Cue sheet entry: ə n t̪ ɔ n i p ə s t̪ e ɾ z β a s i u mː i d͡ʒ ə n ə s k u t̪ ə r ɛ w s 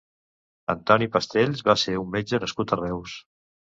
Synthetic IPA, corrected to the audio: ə n t̪ ɔ n i p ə s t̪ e ʎ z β a s e u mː e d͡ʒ ə n ə s k u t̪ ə r ɛ w s